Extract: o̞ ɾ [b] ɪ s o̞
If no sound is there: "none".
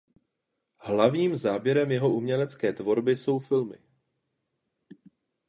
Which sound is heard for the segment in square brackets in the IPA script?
b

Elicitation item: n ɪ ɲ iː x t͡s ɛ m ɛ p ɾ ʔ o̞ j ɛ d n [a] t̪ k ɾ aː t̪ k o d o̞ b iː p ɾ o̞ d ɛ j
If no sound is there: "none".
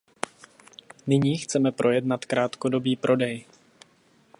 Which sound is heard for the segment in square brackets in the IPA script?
a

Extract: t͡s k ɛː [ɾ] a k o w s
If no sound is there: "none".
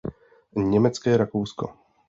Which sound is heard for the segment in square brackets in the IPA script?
ɾ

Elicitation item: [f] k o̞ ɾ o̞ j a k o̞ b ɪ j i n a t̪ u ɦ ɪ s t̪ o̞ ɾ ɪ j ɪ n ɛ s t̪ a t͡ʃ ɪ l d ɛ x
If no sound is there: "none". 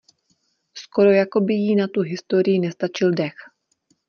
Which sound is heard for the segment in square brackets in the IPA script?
s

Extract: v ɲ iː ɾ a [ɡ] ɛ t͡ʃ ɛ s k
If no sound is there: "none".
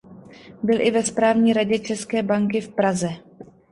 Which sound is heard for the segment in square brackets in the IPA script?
ɟ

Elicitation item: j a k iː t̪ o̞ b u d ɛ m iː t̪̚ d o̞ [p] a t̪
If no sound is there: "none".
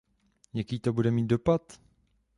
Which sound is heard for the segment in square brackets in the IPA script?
p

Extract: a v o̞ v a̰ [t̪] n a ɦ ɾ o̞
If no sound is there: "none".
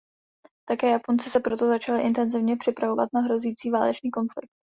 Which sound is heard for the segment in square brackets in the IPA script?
t̪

